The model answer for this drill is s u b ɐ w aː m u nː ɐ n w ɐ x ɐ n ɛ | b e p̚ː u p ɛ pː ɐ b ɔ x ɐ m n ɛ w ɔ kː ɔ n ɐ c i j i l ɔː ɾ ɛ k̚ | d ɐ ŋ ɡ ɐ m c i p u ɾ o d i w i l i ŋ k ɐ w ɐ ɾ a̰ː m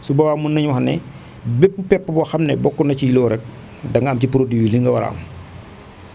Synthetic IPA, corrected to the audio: s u b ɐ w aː m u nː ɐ ɲ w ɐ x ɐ n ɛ | b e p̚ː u p ɛ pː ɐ b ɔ x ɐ m n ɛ b ɔ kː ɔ n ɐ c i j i l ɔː ɾ ɛ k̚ | d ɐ ŋ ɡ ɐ m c i p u ɾ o d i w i l i ŋ ɡ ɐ w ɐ ɾ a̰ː m